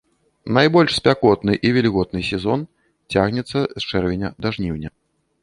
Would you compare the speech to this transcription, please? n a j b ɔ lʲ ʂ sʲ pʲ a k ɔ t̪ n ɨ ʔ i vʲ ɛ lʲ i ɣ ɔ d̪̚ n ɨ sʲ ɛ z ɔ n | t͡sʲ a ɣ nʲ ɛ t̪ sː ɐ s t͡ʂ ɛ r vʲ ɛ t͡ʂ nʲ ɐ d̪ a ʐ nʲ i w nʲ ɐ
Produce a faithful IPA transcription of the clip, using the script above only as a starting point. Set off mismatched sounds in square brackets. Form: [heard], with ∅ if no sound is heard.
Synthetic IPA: n a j b ɔ lʲ ʂ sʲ pʲ a k ɔ t̪ n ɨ ʔ i vʲ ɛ lʲ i ɣ ɔ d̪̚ n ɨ sʲ ɛ z ɔ n | t͡sʲ a ɣ nʲ ɛ t̪ sː ɐ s t͡ʂ ɛ r vʲ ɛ [∅] nʲ ɐ d̪ a ʐ nʲ i w nʲ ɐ

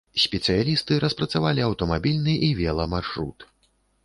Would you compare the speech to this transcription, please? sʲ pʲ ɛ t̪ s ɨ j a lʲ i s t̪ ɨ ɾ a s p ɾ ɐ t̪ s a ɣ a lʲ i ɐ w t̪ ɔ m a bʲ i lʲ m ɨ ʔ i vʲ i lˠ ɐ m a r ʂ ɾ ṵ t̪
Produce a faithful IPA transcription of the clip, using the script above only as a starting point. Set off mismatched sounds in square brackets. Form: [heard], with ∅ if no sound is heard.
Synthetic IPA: sʲ pʲ ɛ t̪ s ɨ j a lʲ i s t̪ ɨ ɾ [ɐ] s p ɾ ɐ t̪ s a [v] a lʲ i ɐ w t̪ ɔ m a bʲ i lʲ [n] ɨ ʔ i vʲ [ɛ] lˠ ɐ m a r ʂ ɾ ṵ t̪

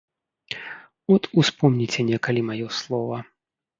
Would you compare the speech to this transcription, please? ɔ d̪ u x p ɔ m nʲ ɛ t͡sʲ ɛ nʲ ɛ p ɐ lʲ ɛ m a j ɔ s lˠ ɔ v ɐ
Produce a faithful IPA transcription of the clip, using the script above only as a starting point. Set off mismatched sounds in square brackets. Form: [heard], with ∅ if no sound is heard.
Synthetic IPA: ɔ [t̪] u [s] p ɔ m nʲ [i] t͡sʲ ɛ nʲ ɛ [k] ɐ lʲ [i] m a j ɔ s lˠ ɔ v ɐ

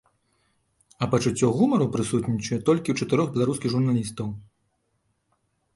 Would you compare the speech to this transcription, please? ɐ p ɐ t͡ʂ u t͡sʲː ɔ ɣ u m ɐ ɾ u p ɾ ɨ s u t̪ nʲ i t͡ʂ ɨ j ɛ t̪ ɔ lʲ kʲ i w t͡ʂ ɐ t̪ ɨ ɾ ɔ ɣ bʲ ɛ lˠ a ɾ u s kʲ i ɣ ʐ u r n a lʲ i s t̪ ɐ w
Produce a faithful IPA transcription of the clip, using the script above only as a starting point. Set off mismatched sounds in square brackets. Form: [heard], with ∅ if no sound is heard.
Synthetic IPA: ɐ p ɐ t͡ʂ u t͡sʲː ɔ ɣ u m ɐ ɾ u p ɾ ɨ s u t̪ nʲ i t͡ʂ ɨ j ɛ t̪ ɔ lʲ kʲ i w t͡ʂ ɐ t̪ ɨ ɾ ɔ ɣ bʲ ɛ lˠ a ɾ u s kʲ i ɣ ʐ u r n a lʲ i s t̪ ɐ w

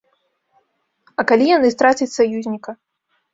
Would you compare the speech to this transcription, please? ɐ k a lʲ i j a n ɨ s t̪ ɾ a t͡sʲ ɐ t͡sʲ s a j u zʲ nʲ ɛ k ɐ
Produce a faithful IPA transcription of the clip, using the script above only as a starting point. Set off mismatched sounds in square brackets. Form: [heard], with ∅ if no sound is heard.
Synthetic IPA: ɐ k a lʲ i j a n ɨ s t̪ ɾ a t͡sʲ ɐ t͡sʲ s a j u zʲ nʲ [i] k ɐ

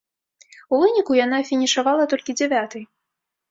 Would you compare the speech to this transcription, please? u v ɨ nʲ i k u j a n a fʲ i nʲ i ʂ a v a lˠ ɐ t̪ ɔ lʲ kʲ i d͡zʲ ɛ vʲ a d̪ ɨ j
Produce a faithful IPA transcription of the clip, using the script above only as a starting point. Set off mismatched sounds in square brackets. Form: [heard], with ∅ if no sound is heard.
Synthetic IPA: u v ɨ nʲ i k u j a n a fʲ i nʲ i ʂ a v a lˠ ɐ t̪ ɔ lʲ kʲ i d͡zʲ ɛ vʲ a [t̪] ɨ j

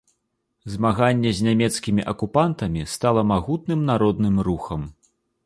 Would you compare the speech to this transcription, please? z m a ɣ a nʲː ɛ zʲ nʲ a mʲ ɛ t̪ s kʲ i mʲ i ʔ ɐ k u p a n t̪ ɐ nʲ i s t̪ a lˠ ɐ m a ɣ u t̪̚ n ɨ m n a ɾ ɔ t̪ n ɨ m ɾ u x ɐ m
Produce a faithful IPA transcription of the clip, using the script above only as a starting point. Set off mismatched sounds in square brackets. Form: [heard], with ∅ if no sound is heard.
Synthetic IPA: z m a ɣ a nʲː ɛ zʲ nʲ a mʲ ɛ t̪ s kʲ i mʲ i ʔ ɐ k u p a n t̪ ɐ [mʲ] i s t̪ a lˠ ɐ m a ɣ u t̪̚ n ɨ m n a ɾ ɔ [d̪] n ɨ m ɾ u x ɐ m

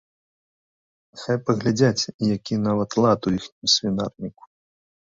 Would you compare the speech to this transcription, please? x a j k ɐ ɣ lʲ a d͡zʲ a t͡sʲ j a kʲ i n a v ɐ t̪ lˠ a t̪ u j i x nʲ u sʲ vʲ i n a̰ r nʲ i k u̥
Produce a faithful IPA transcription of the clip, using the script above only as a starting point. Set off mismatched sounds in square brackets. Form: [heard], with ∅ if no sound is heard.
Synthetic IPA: x a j [p] ɐ ɣ lʲ a d͡zʲ a t͡sʲ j a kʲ i n a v ɐ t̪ lˠ a t̪ u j i x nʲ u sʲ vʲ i n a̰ r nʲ i k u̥

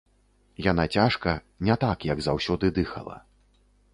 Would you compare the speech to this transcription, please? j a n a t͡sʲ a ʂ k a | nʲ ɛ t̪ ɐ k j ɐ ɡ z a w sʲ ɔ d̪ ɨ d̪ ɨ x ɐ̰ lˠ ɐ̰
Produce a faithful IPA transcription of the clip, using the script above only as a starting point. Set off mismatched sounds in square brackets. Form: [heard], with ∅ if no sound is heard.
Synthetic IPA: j a n a t͡sʲ a ʂ k [ɐ] | nʲ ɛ t̪ [a] k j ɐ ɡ z a w sʲ ɔ d̪ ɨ d̪ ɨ x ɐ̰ lˠ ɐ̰

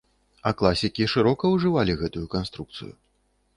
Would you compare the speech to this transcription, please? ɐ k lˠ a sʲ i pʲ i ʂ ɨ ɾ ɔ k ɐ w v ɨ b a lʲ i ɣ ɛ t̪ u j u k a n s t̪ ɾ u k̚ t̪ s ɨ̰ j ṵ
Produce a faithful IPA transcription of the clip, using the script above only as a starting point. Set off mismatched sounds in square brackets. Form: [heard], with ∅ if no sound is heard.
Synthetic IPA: ɐ k lˠ a sʲ i [kʲ] i ʂ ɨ ɾ ɔ k ɐ w [ʐ] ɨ [v] a lʲ i ɣ ɛ t̪ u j u k a n s t̪ ɾ u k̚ t̪ s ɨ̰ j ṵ

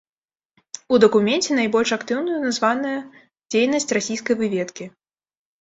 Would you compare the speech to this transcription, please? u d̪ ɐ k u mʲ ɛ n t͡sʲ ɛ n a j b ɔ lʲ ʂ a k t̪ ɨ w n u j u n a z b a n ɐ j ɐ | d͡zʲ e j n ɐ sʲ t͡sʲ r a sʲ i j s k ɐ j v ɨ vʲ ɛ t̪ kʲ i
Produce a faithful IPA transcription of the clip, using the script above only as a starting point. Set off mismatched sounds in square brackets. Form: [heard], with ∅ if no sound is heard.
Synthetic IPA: u d̪ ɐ k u mʲ ɛ n t͡sʲ ɛ n a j b ɔ lʲ ʂ a k t̪ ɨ w n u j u n a z [v] a n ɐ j ɐ | d͡zʲ e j n ɐ sʲ t͡sʲ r a sʲ i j s k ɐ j v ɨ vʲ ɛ t̪ kʲ i

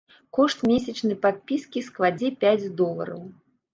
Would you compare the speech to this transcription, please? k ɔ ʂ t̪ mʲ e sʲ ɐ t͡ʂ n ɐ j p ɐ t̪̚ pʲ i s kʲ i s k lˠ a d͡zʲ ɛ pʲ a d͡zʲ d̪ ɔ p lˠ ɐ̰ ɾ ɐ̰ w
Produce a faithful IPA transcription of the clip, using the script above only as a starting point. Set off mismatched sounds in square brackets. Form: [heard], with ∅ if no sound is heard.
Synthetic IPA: k ɔ ʂ t̪ mʲ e sʲ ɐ t͡ʂ n ɐ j p [a] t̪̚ pʲ i s kʲ i s k lˠ a d͡zʲ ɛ pʲ a d͡zʲ d̪ ɔ [∅] lˠ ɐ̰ ɾ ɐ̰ w

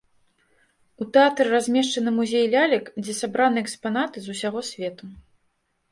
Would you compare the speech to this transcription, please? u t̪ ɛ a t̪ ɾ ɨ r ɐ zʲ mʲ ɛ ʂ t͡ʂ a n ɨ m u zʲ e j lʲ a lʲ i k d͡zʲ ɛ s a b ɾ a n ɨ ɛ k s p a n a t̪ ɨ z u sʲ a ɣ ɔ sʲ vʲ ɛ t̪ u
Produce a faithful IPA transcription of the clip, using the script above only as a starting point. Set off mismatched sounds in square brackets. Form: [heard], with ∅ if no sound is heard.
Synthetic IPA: u t̪ ɛ a t̪ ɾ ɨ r [a] zʲ mʲ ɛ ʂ t͡ʂ [ɐ] n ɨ m u zʲ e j lʲ a lʲ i k d͡zʲ ɛ s a b ɾ a n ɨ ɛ k s p a n a t̪ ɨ z u sʲ a ɣ ɔ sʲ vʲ ɛ t̪ u

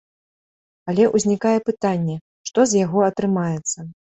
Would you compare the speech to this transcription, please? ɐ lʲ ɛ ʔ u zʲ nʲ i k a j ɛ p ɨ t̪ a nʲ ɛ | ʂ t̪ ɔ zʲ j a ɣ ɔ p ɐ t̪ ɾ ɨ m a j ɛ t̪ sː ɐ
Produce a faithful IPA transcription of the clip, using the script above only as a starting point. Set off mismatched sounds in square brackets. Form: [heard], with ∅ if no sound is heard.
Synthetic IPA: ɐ lʲ ɛ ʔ u zʲ nʲ i k a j ɛ p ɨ t̪ a [nʲː] ɛ | ʂ t̪ ɔ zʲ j a ɣ ɔ [∅] ɐ t̪ ɾ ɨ m a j ɛ t̪ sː ɐ

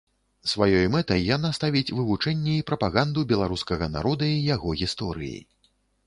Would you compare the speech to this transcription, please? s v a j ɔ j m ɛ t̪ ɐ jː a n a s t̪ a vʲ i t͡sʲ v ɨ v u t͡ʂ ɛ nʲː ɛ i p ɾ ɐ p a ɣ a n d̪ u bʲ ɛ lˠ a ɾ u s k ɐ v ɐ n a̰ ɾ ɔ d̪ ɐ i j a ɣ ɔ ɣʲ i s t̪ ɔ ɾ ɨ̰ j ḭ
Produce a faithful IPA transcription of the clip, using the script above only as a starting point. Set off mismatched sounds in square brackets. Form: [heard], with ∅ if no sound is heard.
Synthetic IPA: s v a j ɔ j m ɛ t̪ ɐ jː a n a s t̪ a vʲ i t͡sʲ v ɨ v u t͡ʂ ɛ nʲː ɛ i p ɾ ɐ p a ɣ a n d̪ u bʲ ɛ lˠ a ɾ u s k ɐ [ɣ] ɐ n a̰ ɾ ɔ d̪ ɐ i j a ɣ ɔ ɣʲ i s t̪ ɔ ɾ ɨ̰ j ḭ

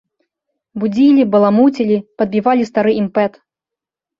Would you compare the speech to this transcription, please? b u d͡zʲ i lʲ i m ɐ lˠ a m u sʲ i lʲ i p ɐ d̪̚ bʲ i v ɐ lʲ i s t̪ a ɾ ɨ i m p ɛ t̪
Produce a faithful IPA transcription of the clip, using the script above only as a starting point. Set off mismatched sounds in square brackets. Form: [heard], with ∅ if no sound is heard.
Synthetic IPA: b u d͡zʲ i lʲ i [b] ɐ lˠ a m u [t͡sʲ] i lʲ i p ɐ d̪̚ bʲ i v [a] lʲ i s t̪ a ɾ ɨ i m p ɛ t̪

